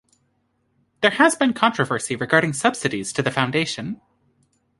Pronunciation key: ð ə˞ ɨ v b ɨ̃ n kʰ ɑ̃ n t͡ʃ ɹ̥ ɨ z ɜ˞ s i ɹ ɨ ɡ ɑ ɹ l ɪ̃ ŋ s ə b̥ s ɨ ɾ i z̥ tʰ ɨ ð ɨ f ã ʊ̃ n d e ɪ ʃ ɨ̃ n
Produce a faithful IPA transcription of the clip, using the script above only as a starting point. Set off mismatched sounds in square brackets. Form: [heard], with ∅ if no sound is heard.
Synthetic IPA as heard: ð ə˞ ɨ [z] b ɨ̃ n kʰ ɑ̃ n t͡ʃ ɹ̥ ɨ [v] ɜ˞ s i ɹ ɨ ɡ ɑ ɹ [ɾ] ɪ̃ ŋ s [ʌ] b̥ s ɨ ɾ i z̥ tʰ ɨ ð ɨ f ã ʊ̃ n d e ɪ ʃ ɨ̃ n